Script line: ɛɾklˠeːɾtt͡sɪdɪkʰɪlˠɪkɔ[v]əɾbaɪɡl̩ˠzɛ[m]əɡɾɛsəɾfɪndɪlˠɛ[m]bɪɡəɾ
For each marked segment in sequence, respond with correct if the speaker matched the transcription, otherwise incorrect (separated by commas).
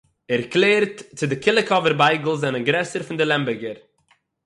correct, incorrect, correct